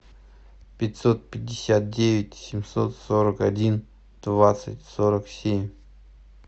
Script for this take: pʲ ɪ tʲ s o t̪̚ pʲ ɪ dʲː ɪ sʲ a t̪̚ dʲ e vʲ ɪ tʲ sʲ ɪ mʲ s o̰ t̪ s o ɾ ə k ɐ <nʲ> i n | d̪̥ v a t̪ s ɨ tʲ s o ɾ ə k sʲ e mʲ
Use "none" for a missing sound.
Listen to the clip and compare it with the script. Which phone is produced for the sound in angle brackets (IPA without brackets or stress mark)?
dʲ